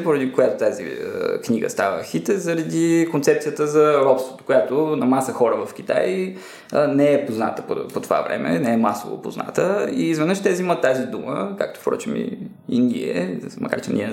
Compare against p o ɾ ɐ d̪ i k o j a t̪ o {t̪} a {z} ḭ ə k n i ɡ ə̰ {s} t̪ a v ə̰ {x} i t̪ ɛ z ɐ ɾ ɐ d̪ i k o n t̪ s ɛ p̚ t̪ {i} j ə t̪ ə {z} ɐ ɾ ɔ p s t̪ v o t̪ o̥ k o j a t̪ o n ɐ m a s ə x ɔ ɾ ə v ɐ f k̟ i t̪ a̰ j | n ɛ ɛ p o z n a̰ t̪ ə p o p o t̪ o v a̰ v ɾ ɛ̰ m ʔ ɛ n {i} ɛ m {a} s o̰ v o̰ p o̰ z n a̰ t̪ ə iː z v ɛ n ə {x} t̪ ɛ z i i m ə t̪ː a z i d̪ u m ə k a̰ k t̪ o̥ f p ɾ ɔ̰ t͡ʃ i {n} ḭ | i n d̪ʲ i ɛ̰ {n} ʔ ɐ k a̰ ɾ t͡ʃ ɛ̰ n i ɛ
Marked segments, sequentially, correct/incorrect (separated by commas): correct, correct, correct, correct, correct, correct, incorrect, correct, incorrect, incorrect, incorrect